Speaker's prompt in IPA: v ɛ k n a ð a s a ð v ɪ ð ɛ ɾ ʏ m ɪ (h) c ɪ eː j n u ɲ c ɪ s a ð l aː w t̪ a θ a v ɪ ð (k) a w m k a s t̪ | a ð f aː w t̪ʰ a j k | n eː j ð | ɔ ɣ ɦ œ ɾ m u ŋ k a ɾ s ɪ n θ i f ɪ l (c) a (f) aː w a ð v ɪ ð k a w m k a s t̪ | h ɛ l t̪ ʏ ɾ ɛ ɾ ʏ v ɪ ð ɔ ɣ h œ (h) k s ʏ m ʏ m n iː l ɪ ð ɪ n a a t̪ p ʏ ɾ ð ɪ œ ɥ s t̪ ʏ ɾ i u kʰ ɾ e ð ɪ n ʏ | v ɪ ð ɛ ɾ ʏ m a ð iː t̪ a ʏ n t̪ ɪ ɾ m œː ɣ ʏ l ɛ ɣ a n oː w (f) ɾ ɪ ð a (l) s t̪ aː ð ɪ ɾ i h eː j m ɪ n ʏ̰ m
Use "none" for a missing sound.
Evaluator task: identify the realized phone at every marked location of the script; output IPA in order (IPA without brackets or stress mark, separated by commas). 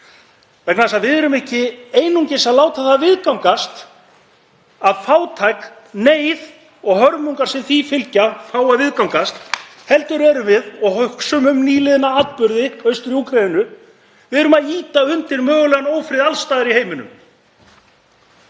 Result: h, k, c, f, h, f, l